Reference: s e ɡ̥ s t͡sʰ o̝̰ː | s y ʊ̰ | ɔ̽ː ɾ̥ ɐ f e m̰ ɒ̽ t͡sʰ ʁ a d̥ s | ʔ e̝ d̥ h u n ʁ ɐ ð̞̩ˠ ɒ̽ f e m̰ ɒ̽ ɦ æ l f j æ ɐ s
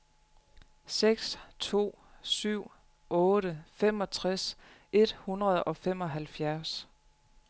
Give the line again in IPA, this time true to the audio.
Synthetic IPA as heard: s e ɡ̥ s t͡sʰ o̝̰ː | s y ʊ̰ | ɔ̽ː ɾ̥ ə f e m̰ ɒ̽ t͡sʰ ʁ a s | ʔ e̝ d̥ h u n ʁ ɐ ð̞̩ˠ ɒ̽ f e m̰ ɒ̽ ɦ æ l f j æ ɐ s